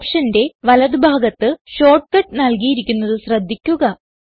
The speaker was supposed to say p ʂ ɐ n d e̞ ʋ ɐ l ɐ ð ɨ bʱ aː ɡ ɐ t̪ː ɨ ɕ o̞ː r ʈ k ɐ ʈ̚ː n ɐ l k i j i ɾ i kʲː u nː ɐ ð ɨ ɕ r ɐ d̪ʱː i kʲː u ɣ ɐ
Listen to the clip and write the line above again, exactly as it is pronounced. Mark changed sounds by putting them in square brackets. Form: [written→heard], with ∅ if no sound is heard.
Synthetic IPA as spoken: p ʂ ɐ n d e̞ ʋ ɐ l ɐ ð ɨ bʱ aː ɡ ɐ t̪ː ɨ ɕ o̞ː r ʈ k ɐ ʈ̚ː n ɐ l k i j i ɾ i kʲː u nː ɐ ð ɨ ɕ r ɐ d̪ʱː i kʲː u ɣ ɐ